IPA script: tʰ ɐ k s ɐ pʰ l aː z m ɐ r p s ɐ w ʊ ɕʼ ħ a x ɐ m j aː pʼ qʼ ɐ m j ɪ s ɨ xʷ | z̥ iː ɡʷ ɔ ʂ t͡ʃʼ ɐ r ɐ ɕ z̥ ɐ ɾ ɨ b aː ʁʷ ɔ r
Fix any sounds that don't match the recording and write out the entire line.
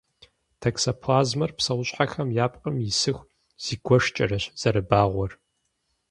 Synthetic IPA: tʰ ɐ k s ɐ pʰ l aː z m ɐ r p s ɐ w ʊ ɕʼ ħ a x ɐ m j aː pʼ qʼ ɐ m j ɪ s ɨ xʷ | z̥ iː ɡʷ ɔ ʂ t͡ʃʼ ɐ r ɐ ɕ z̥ ɐ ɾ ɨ b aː ʁʷ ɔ r